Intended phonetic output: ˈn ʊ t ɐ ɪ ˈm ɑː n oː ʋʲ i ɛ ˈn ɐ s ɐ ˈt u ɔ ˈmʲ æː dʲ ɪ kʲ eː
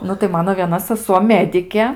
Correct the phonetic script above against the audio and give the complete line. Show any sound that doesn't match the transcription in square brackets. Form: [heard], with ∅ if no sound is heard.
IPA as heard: ˈn ʊ t ɐ ɪ ˈm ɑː n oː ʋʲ i ɛ ˈn ɐ s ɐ [ˈs] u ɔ ˈmʲ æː dʲ ɪ kʲ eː

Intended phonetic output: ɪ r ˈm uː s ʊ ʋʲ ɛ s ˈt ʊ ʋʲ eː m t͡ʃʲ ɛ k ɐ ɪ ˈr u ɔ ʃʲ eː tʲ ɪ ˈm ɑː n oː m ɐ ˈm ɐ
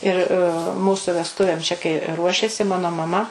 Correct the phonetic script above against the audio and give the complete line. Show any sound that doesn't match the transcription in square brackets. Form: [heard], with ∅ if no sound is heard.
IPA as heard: ɪ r ˈm uː s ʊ ʋʲ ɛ s ˈt ʊ ʋʲ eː m t͡ʃʲ ɛ k ɐ ɪ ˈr u ɔ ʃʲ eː [sʲ] ɪ ˈm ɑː n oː m ɐ ˈm ɐ

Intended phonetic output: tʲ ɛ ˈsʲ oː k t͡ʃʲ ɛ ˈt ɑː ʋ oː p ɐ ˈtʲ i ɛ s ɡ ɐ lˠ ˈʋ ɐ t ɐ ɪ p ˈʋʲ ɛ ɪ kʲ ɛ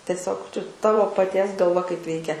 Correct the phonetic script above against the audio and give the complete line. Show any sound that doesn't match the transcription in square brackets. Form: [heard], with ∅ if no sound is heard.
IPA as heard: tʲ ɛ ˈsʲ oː k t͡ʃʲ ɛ ˈt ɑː ʋ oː p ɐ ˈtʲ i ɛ s ɡ ɐ lˠ ˈʋ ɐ [k] ɐ ɪ p ˈʋʲ ɛ ɪ kʲ ɛ

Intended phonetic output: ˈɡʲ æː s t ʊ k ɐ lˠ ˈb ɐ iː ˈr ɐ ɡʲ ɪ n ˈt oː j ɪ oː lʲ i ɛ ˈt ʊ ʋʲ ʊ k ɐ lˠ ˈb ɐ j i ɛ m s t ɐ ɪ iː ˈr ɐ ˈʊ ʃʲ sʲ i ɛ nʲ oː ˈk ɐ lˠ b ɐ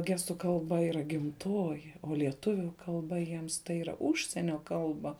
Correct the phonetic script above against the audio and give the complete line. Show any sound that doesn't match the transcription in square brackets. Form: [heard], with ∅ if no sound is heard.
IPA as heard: ˈɡʲ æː s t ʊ k ɐ lˠ ˈb ɐ iː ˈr ɐ ɡʲ ɪ [m] ˈt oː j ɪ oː lʲ i ɛ ˈt ʊ ʋʲ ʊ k ɐ lˠ ˈb ɐ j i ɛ m s t ɐ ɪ iː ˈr ɐ ˈʊ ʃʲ sʲ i ɛ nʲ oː ˈk ɐ lˠ b ɐ

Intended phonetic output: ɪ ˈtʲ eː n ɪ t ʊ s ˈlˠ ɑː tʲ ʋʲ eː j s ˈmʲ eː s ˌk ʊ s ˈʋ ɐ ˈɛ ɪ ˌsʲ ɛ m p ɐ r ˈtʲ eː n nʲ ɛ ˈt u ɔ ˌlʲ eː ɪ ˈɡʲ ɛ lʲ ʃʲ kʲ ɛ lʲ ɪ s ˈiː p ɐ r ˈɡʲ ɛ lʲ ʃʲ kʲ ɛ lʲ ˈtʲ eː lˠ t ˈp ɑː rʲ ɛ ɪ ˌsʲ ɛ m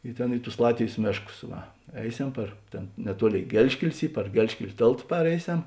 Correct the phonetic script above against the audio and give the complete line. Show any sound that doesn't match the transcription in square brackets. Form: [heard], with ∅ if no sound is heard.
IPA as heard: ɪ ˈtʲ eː n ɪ t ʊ s ˈlˠ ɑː tʲ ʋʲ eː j s ˈmʲ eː [ʃ] ˌk ʊ s ˈʋ ɐ ˈɛ ɪ ˌsʲ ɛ m p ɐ r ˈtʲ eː n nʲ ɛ ˈt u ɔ ˌlʲ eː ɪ ˈɡʲ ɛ lʲ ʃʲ kʲ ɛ lʲ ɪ s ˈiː p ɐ r ˈɡʲ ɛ lʲ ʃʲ kʲ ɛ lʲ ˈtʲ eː lˠ t ˈp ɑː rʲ ɛ ɪ ˌsʲ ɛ m

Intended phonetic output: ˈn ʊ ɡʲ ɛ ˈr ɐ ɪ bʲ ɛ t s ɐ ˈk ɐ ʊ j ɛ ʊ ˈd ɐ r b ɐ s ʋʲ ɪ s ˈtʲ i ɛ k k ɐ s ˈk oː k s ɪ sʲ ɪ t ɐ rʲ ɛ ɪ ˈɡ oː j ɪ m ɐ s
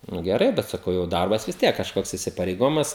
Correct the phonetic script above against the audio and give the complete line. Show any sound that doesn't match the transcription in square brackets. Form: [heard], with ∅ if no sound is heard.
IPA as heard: ˈn ʊ ɡʲ ɛ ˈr ɐ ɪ bʲ ɛ t s ɐ ˈk ɐ ʊ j ɛ ʊ ˈd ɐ r b ɐ s ʋʲ ɪ s ˈtʲ i ɛ k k ɐ [ʃ] ˈk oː k s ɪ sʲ ɪ [p] ɐ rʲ ɛ ɪ ˈɡ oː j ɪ m ɐ s

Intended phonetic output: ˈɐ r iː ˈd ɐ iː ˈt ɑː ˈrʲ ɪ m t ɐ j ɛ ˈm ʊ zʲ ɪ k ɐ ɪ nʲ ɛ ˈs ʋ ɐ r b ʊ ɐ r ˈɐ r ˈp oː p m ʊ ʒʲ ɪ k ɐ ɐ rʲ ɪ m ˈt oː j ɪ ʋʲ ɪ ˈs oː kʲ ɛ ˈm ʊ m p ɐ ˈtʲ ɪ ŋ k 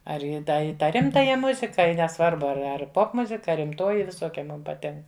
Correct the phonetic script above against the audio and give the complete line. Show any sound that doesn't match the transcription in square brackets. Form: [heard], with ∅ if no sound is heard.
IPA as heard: ˈɐ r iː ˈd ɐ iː ˈt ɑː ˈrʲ ɪ m t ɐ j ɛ ˈm ʊ zʲ ɪ k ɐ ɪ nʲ ɛ ˈs ʋ ɐ r b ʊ ɐ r ˈɐ r ˈp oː p m ʊ [zʲ] ɪ k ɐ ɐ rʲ ɪ m ˈt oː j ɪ ʋʲ ɪ ˈs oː kʲ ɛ ˈm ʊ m p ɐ ˈtʲ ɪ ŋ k

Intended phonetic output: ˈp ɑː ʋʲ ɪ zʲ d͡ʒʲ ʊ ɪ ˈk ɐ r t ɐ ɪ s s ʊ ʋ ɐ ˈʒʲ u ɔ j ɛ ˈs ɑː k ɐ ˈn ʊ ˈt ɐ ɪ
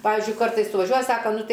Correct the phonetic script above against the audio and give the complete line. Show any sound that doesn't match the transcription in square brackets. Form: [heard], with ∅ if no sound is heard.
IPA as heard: ˈp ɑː ʋʲ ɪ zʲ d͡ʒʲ ʊ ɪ ˈk ɐ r t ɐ ɪ s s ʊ ʋ ɐ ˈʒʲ u ɔ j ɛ ˈs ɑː k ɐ ˈn ʊ ˈt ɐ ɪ

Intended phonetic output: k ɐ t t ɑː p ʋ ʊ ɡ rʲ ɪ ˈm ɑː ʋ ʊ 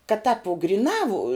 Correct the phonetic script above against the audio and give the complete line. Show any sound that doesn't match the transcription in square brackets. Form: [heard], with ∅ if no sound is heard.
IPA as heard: k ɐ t t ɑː p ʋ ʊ ɡ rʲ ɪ [ˈn] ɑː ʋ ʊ

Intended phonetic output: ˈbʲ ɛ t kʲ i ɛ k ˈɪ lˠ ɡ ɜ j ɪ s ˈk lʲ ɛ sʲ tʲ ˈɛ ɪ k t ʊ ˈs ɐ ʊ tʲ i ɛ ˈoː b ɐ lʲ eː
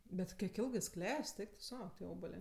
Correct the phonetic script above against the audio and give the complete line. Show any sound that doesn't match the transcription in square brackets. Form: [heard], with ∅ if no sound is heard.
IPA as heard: ˈbʲ ɛ t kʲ i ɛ k ˈɪ lˠ ɡ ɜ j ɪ s ˈk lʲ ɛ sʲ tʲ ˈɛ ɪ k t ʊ ˈs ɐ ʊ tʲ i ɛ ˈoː b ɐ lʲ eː

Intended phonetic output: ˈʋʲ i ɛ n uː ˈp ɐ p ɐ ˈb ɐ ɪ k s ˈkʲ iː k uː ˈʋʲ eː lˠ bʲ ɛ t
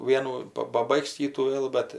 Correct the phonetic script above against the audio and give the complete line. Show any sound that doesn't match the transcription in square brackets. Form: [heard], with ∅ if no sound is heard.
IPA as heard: ˈʋʲ i ɛ n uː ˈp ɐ p ɐ ˈb ɐ ɪ k s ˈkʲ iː [t] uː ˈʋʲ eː lˠ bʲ ɛ t

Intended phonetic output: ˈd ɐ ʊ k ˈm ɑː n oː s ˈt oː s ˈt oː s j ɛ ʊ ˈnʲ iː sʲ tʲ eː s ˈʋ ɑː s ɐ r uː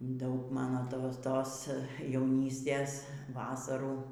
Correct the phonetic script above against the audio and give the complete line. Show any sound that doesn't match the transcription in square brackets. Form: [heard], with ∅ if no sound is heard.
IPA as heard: ˈd ɐ ʊ k ˈm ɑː n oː [∅] ˈt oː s ˈt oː s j ɛ ʊ ˈnʲ iː sʲ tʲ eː s ˈʋ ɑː s ɐ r uː

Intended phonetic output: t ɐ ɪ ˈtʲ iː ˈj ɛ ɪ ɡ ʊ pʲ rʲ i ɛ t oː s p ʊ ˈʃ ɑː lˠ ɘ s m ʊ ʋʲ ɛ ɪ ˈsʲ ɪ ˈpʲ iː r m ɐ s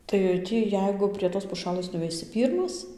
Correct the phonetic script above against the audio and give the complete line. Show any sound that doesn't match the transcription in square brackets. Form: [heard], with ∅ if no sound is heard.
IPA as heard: t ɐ ɪ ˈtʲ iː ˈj ɛ ɪ ɡ ʊ pʲ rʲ i ɛ t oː s p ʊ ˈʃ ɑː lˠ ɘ s [n] ʊ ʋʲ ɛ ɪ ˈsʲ ɪ ˈpʲ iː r m ɐ s

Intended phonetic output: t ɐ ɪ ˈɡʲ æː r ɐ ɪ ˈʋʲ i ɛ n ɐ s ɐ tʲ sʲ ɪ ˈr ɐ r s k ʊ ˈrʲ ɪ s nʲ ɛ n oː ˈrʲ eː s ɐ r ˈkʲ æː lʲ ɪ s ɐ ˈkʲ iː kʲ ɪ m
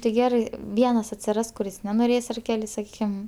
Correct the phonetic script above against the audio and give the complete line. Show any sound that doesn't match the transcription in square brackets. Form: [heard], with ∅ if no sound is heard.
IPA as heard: t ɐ ɪ ˈɡʲ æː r ɐ ɪ ˈʋʲ i ɛ n ɐ s ɐ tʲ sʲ ɪ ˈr ɐ [∅] s k ʊ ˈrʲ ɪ s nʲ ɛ n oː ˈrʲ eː s ɐ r ˈkʲ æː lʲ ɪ s ɐ ˈkʲ iː kʲ ɪ m

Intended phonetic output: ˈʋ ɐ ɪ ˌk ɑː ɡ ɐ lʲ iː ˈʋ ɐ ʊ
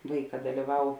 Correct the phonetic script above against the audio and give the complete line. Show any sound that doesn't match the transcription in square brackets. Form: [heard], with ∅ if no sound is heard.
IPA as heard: ˈʋ ɐ ɪ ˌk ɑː [d] ɐ lʲ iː ˈʋ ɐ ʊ

